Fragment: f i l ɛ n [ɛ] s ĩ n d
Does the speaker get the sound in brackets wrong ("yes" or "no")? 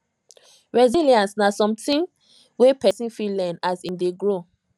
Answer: yes